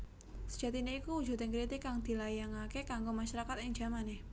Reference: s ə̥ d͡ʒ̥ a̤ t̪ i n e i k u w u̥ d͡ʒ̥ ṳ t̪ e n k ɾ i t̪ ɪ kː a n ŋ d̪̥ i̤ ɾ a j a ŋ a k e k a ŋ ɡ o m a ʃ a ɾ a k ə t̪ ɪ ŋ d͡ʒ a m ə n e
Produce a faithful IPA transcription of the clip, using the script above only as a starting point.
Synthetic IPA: s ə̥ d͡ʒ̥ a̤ t̪ i n e i k u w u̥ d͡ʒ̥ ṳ t̪ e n k ɾ i t̪ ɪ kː a ŋ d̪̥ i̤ l a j a ŋ a k e k a ŋ ɡ o m a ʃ a ɾ a k a t̪ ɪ ŋ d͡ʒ a m a n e